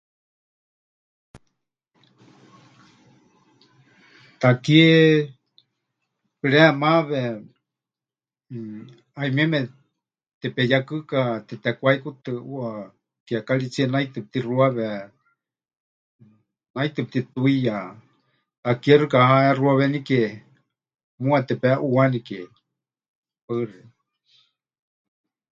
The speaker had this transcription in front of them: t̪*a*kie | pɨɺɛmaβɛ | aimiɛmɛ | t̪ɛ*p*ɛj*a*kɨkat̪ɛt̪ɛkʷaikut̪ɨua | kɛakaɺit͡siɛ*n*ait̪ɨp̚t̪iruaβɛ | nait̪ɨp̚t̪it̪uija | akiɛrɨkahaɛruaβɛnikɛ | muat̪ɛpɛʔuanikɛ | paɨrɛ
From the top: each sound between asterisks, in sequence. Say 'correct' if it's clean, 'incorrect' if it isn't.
correct, correct, correct, correct

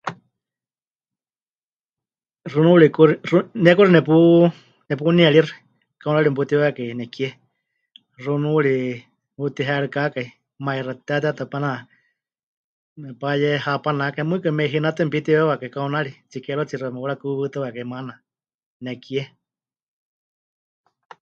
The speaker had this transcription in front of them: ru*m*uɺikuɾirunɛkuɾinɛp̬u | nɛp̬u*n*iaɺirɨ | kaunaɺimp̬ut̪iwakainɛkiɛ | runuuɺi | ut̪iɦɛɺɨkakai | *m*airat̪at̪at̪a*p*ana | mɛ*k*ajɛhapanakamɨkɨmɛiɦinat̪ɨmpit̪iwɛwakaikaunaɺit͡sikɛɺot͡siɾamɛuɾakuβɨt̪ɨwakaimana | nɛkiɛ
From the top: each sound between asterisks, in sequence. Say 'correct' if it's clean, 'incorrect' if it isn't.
incorrect, correct, correct, correct, incorrect

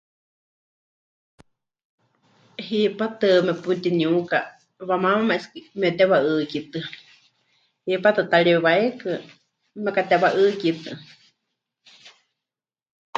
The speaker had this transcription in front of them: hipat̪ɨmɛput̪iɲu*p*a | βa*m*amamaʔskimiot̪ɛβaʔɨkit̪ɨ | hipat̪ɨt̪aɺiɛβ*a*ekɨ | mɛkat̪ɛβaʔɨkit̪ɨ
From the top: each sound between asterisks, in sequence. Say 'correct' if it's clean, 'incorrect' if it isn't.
incorrect, correct, correct

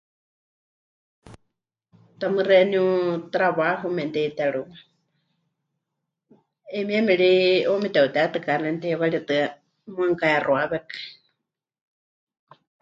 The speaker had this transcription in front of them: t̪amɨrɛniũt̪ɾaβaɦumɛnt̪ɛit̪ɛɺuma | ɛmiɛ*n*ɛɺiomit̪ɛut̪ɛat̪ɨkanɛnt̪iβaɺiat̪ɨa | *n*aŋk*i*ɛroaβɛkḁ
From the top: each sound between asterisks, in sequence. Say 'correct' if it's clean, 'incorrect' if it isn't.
incorrect, incorrect, incorrect

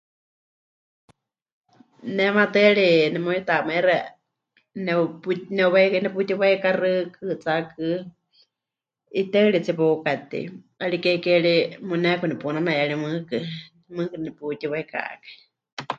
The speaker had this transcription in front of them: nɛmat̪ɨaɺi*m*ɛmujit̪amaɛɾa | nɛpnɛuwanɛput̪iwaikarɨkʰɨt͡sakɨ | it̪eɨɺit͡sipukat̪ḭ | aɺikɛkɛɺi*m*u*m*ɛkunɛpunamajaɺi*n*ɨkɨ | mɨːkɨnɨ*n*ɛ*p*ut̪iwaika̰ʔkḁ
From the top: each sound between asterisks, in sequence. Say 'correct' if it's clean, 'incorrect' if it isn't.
incorrect, correct, incorrect, incorrect, correct, correct

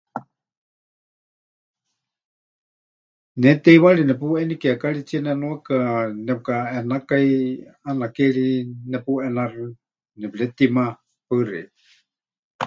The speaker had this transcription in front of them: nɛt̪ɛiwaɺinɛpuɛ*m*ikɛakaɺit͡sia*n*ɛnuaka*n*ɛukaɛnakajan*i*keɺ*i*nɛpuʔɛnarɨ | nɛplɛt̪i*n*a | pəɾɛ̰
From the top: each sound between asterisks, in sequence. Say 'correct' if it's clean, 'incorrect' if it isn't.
incorrect, correct, correct, incorrect, correct, incorrect

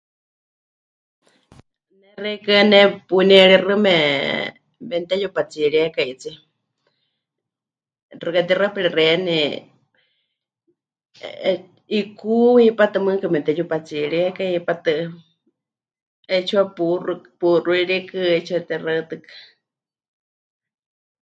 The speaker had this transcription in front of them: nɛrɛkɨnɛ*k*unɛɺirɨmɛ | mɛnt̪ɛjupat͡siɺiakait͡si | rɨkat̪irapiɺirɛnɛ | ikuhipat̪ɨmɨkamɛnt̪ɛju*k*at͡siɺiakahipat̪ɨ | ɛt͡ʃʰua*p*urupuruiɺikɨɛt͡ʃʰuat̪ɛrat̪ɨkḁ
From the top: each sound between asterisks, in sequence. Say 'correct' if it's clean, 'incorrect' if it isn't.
incorrect, incorrect, correct

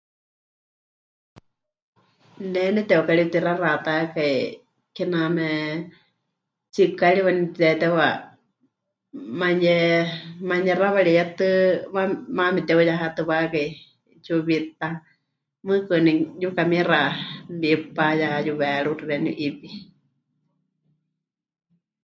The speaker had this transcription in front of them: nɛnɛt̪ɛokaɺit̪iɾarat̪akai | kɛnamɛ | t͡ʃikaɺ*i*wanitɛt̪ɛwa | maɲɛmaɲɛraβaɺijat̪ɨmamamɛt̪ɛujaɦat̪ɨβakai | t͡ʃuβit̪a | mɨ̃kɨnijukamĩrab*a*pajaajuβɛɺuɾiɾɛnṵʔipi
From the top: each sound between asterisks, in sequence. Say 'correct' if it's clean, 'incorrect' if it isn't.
correct, incorrect

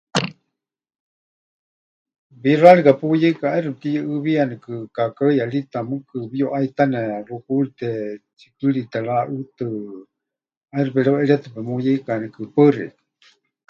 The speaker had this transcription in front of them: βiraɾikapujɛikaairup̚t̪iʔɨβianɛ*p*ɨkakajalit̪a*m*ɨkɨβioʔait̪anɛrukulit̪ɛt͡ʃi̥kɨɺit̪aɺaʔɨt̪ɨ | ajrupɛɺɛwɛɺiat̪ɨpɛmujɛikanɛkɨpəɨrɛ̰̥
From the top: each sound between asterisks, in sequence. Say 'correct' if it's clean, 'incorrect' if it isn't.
incorrect, correct

